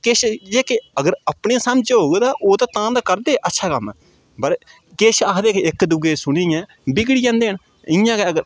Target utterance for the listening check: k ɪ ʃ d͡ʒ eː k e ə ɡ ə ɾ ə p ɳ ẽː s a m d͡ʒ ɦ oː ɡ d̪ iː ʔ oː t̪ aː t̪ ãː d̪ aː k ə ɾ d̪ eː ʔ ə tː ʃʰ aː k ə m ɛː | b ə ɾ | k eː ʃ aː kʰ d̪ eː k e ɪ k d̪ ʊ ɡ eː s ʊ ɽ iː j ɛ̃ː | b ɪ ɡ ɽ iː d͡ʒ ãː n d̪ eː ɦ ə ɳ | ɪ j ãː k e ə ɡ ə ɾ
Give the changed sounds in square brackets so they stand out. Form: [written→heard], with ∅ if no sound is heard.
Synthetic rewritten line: k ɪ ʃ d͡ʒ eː k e ə ɡ ə ɾ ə p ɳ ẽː s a m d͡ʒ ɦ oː ɡ d̪ [iː→aː] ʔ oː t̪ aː t̪ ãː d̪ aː k ə ɾ d̪ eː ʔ ə tː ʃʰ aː k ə m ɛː | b ə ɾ | k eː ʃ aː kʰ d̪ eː k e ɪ k d̪ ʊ ɡ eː s ʊ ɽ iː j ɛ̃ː | b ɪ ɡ ɽ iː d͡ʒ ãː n d̪ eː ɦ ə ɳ | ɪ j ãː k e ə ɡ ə ɾ